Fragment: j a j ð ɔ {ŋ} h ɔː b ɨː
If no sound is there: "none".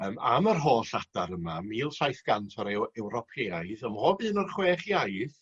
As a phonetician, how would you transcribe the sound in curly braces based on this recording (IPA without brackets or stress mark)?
m